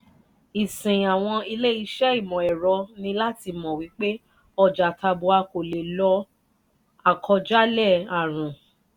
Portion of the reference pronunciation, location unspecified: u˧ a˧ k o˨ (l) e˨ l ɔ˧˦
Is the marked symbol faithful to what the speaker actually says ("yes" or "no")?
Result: yes